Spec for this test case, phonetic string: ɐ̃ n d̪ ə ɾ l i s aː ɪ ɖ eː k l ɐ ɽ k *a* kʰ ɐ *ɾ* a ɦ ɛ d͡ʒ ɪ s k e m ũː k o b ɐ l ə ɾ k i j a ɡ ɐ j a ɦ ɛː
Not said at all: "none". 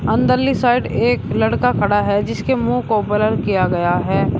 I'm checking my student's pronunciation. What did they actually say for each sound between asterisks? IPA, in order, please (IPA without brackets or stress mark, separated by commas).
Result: a, ɽ